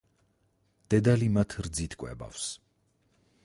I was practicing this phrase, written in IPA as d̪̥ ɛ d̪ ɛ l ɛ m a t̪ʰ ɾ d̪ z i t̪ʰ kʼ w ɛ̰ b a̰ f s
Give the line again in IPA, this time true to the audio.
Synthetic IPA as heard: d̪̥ ɛ d̪ a l i m a t̪ʰ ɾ d̪ z i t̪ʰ kʼ w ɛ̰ b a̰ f s